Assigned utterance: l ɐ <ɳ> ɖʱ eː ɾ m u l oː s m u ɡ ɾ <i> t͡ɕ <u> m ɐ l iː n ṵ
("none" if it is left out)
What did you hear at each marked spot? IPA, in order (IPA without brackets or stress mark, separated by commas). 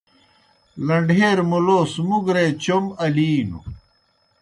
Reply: ɳ, e, o